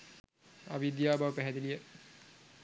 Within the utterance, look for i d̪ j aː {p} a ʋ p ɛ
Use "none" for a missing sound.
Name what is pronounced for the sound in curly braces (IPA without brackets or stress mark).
b